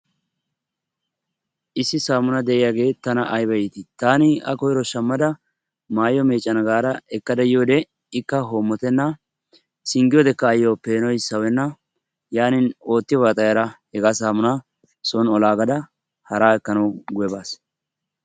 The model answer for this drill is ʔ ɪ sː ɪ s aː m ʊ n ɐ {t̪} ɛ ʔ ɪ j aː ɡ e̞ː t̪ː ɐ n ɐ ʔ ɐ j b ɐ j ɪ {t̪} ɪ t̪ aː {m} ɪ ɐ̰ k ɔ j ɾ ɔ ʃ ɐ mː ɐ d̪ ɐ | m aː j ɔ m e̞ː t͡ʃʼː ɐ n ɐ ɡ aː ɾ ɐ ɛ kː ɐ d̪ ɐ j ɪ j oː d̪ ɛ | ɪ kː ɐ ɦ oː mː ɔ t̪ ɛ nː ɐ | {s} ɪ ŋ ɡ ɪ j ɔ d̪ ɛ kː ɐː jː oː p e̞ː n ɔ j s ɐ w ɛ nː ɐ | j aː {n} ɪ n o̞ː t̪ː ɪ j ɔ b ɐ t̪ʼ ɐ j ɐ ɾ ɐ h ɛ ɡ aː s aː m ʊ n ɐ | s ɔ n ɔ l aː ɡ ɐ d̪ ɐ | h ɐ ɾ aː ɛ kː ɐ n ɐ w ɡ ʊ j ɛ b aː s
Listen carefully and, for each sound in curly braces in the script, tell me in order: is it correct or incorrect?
incorrect, correct, incorrect, correct, correct

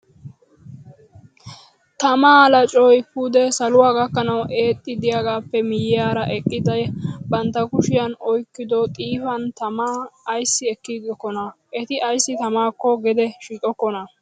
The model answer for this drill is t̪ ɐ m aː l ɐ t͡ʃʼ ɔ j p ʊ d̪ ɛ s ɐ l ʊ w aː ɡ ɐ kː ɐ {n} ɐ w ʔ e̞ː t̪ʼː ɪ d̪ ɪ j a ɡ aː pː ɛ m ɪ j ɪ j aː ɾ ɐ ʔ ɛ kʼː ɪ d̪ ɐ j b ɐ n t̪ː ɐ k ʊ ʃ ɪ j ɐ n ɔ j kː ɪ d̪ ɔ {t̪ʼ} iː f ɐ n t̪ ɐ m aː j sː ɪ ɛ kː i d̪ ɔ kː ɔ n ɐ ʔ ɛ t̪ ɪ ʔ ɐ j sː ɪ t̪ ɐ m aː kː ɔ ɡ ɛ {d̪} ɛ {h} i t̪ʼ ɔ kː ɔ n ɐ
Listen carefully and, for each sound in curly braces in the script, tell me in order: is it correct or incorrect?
correct, correct, correct, incorrect

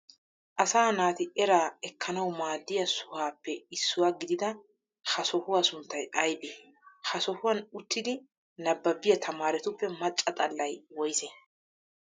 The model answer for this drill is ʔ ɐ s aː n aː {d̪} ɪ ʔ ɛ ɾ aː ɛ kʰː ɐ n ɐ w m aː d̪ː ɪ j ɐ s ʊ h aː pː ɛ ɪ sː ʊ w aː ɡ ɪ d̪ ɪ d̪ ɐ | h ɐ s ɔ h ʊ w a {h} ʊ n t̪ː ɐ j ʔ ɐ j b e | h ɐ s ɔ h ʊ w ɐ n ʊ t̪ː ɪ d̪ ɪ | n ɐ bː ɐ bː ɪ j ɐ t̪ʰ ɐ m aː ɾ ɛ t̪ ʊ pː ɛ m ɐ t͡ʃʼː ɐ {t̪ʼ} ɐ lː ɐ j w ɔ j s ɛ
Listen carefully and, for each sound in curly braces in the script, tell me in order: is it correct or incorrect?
incorrect, incorrect, correct

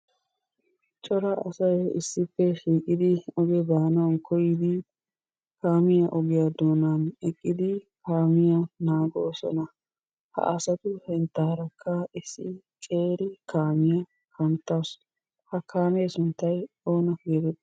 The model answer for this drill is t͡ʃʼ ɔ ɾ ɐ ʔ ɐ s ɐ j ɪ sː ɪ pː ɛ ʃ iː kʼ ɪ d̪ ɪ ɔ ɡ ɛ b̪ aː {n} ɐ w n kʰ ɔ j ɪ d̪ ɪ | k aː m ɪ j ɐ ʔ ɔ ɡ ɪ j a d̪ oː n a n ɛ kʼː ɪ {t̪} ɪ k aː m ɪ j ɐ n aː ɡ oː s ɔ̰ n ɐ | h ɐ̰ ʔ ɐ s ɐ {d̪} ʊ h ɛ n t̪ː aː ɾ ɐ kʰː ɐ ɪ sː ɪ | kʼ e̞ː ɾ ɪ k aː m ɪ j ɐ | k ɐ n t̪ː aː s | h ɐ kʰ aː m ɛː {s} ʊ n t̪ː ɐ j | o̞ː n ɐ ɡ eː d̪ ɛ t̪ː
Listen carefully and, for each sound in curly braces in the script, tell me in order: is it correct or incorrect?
correct, incorrect, incorrect, correct

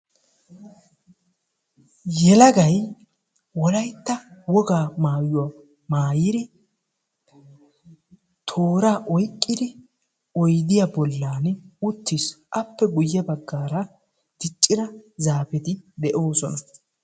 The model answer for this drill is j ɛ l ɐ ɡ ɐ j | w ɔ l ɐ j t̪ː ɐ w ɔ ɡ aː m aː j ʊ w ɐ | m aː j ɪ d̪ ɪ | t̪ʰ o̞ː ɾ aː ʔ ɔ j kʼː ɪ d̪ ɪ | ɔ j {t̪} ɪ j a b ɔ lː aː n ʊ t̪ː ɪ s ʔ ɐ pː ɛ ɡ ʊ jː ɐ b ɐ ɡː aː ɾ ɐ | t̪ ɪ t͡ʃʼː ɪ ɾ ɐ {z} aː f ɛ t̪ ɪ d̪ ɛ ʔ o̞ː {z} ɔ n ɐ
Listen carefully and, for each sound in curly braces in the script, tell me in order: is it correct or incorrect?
incorrect, correct, incorrect

